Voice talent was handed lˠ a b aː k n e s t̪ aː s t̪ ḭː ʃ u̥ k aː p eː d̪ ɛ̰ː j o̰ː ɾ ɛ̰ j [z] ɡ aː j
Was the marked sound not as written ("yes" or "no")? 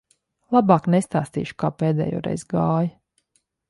no